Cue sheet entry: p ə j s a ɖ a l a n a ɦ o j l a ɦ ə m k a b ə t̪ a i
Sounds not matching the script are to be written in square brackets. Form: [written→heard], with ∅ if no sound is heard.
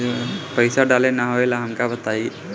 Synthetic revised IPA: p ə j s a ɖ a l [a→e] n a ɦ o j l a ɦ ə m k a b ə t̪ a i